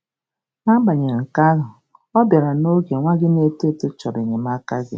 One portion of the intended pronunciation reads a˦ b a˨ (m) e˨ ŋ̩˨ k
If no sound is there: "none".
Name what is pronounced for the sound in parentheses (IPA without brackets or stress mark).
ɲ